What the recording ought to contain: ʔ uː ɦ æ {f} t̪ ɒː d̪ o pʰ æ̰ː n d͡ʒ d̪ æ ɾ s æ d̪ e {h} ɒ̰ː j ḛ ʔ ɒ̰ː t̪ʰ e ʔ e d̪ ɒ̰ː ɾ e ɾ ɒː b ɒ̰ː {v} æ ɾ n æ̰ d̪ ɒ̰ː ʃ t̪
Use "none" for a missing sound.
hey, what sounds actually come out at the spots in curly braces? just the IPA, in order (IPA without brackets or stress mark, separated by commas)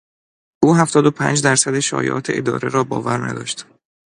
f, ʃ, v